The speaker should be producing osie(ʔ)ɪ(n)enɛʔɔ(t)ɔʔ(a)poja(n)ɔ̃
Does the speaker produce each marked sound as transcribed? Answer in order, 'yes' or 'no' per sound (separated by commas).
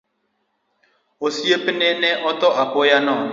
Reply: no, yes, yes, yes, yes